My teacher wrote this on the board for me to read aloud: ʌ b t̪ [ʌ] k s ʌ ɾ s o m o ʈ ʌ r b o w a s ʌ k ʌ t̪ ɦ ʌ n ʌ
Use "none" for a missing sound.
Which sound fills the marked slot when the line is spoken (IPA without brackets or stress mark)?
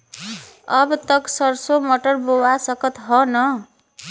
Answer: ʌ